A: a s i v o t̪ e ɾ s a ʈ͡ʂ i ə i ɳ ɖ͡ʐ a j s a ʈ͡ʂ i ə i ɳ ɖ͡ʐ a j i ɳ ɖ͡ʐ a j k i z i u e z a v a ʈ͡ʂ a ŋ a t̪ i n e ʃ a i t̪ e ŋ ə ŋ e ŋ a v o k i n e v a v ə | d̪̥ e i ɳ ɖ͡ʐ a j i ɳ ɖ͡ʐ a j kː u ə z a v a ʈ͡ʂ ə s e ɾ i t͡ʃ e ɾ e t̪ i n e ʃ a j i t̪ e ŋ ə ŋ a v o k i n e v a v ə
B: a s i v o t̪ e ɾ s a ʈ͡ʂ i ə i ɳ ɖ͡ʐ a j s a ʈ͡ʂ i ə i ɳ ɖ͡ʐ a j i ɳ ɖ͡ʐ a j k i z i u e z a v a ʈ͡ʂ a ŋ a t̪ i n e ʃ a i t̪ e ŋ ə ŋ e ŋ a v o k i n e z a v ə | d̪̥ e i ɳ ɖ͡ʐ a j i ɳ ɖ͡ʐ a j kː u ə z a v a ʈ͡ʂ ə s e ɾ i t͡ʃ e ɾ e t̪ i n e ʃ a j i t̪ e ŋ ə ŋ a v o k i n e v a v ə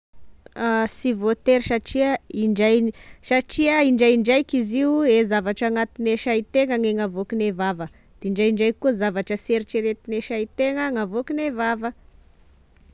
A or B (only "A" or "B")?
A